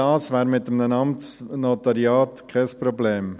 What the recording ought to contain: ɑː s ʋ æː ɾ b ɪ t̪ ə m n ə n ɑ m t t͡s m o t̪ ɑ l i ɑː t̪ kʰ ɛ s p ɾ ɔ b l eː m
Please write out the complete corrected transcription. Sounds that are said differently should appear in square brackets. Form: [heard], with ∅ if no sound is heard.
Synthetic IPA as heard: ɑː s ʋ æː ɾ [m] ɪ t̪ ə m n ə n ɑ m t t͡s [n] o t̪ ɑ [ɾ] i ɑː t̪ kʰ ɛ s p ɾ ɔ b l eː m